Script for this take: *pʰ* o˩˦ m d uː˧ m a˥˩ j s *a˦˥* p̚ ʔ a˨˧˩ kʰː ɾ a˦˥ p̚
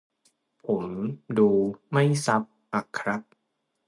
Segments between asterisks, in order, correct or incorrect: correct, correct

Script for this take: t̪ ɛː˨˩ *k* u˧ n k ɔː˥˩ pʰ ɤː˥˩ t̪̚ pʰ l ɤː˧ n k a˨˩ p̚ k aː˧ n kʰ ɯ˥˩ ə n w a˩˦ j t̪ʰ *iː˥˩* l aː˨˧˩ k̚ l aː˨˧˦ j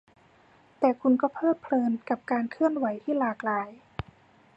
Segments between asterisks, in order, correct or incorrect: incorrect, correct

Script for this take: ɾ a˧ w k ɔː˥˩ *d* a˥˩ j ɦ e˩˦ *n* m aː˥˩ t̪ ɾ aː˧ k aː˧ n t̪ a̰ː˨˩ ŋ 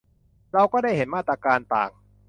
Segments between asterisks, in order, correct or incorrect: correct, correct

